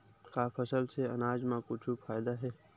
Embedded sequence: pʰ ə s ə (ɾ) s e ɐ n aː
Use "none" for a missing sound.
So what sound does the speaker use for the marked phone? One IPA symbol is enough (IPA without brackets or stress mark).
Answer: l